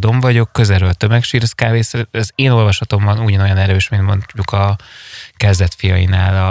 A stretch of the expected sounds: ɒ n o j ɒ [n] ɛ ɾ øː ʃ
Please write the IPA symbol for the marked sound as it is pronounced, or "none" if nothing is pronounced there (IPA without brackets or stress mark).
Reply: n